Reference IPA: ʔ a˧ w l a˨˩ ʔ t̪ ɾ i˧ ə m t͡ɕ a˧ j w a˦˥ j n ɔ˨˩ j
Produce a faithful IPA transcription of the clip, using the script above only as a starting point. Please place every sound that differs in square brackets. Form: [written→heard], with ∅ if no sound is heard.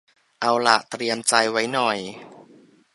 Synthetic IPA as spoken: ʔ a˧ w l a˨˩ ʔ t̪ ɾ i˧ ə m t͡ɕ a˧ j w a˦˥ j n ɔ˨˩ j